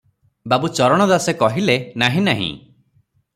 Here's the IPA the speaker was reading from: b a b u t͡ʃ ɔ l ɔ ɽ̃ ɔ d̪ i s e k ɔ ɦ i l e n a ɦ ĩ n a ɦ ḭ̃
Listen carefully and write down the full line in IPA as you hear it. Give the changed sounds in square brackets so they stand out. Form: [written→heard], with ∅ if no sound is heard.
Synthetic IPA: b a b u t͡ʃ ɔ [l→ɾ] ɔ ɽ̃ ɔ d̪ [i→a] s e k ɔ ɦ i l e n a ɦ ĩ n a ɦ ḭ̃